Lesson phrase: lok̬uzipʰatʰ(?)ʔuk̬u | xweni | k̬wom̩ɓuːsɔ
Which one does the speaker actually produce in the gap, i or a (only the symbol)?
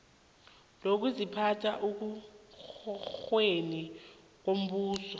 a